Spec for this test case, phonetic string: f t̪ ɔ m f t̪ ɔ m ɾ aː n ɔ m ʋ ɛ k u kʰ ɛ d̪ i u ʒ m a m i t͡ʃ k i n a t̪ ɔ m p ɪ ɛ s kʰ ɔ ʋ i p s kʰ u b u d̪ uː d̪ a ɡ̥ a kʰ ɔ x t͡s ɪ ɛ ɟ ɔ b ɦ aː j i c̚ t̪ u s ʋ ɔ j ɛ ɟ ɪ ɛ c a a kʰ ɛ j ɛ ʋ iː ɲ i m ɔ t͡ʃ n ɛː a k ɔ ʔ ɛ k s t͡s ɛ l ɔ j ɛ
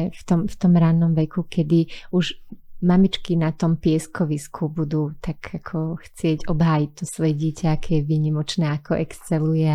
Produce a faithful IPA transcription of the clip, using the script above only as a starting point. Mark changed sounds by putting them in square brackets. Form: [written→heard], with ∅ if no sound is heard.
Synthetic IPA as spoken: f t̪ ɔ m f t̪ ɔ m ɾ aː n ɔ m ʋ ɛ k u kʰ ɛ d̪ i u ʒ m a m i t͡ʃ k i n a t̪ ɔ m p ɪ ɛ s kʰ ɔ ʋ i [p→∅] s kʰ u b u d̪ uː [d̪→t̪] a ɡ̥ a kʰ ɔ x t͡s ɪ ɛ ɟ ɔ b ɦ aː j i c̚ t̪ [u→ɔ] s ʋ ɔ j ɛ ɟ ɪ ɛ c a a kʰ ɛ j ɛ ʋ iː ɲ i m ɔ t͡ʃ n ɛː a k ɔ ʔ ɛ k s t͡s ɛ l [ɔ→u] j ɛ